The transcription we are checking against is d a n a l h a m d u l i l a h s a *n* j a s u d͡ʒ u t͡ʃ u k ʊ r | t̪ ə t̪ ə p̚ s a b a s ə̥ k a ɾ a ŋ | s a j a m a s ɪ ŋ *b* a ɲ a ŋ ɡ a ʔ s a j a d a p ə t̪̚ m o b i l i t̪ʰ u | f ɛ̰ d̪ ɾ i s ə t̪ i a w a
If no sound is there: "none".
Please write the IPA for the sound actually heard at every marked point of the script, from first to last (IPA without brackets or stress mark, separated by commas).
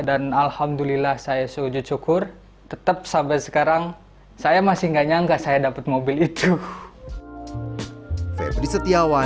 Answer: none, ɡ